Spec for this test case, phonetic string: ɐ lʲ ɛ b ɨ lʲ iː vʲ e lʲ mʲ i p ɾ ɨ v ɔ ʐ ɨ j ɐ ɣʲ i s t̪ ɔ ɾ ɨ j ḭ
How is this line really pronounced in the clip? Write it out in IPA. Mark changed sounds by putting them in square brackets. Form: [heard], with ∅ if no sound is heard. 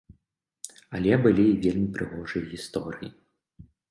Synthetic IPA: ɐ lʲ ɛ b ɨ lʲ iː vʲ e lʲ mʲ i p ɾ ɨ [ɣ] ɔ ʐ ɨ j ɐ ɣʲ i s t̪ ɔ ɾ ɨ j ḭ